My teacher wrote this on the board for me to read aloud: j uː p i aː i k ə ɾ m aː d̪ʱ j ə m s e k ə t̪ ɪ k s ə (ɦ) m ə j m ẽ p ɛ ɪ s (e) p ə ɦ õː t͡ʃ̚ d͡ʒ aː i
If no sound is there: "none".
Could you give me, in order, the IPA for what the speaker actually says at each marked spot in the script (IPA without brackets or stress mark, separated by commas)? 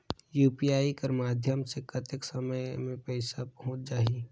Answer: none, a